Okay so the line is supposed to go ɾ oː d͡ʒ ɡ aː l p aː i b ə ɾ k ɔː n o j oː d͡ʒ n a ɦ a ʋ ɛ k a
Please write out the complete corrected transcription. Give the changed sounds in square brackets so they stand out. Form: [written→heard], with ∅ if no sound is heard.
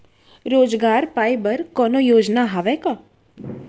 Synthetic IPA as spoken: ɾ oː d͡ʒ ɡ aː [l→ɾ] p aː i b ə ɾ k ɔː n o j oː d͡ʒ n a ɦ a ʋ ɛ k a

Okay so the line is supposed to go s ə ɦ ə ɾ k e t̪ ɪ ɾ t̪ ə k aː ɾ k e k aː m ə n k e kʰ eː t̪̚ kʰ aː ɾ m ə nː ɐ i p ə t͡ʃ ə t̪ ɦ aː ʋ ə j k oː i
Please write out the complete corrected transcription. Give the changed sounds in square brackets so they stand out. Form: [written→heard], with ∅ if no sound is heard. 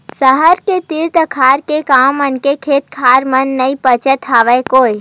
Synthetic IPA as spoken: s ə ɦ ə ɾ k e t̪ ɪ ɾ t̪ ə [k→kʰ] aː ɾ k e k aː m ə n k e kʰ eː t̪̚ kʰ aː ɾ m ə nː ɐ i p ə t͡ʃ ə t̪ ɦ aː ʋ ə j k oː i

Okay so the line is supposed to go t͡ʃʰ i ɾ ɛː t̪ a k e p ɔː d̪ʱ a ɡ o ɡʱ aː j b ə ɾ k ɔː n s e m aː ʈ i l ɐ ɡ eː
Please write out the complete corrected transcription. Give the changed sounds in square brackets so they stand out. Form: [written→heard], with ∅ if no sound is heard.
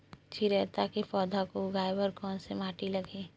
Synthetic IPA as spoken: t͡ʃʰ i ɾ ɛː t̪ a k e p ɔː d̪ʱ a [ɡ→k] o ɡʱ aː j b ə ɾ k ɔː n s e m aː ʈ i l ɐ ɡ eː

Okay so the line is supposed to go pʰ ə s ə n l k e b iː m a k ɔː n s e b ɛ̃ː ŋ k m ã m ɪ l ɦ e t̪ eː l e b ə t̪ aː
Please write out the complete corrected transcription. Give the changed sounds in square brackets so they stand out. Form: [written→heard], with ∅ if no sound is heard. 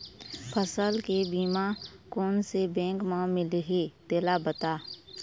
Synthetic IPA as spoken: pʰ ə s ə [n→∅] l k e b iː m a k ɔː n s e b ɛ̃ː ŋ k m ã m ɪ l ɦ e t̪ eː l [e→a] b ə t̪ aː

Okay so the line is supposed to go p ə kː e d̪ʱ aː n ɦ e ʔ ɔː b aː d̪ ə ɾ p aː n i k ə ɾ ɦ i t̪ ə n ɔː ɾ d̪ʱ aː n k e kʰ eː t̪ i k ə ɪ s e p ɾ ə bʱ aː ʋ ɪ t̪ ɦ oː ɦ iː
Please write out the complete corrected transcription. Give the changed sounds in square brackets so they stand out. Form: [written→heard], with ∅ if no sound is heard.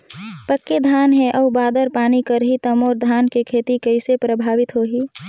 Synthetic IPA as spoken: p ə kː e d̪ʱ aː n ɦ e ʔ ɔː b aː d̪ ə ɾ p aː n i k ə ɾ ɦ i t̪ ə [n→m] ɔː ɾ d̪ʱ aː n k e kʰ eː t̪ i k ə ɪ s e p ɾ ə bʱ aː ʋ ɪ t̪ ɦ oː ɦ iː

